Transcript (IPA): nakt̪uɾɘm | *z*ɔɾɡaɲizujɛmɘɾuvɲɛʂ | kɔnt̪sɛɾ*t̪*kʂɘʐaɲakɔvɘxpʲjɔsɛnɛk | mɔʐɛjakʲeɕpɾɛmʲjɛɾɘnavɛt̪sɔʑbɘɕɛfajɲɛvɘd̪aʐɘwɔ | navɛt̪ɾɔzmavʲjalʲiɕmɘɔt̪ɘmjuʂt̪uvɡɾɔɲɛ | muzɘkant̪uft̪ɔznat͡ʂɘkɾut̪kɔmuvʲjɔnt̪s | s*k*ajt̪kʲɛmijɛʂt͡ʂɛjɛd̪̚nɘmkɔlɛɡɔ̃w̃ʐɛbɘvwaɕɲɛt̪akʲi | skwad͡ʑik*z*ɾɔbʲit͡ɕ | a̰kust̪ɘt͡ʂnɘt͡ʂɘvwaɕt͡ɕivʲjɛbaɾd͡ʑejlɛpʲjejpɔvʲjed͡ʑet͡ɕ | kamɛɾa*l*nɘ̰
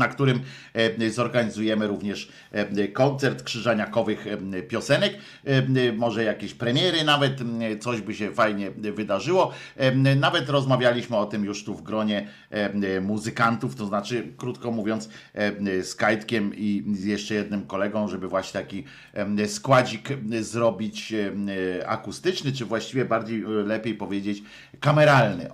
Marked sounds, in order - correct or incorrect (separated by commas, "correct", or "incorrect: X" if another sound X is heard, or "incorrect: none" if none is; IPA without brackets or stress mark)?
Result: correct, correct, correct, correct, correct